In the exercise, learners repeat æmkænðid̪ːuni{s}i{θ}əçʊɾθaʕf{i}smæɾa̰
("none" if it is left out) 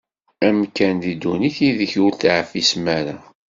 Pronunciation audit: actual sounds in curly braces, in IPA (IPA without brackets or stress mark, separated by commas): θ, ð, i